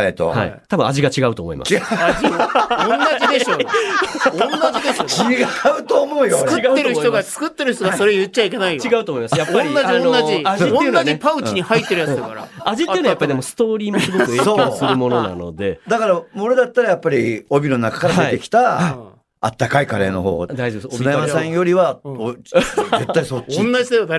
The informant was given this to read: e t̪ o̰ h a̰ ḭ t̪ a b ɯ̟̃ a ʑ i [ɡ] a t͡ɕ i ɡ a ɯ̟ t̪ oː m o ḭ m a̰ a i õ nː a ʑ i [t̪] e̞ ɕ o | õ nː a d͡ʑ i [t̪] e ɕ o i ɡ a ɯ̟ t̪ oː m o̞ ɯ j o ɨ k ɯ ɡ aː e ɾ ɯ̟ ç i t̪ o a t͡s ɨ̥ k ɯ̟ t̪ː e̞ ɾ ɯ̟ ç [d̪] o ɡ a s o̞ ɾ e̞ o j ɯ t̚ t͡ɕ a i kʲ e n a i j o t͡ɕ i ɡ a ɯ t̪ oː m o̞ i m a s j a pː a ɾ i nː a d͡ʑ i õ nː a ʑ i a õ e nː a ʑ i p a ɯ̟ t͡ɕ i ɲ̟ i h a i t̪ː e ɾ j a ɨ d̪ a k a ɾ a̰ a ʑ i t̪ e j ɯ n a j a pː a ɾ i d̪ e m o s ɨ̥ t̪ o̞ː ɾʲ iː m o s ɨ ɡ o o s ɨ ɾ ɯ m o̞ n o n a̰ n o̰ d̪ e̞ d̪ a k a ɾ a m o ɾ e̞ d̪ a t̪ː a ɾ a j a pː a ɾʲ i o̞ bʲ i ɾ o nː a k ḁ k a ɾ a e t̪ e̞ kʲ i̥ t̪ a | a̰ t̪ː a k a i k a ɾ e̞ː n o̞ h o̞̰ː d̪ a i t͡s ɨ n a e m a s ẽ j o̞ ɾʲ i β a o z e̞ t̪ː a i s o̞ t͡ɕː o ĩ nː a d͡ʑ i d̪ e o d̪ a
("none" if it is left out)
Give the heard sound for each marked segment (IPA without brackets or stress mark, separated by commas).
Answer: ɡ, d̪, d̪, t̪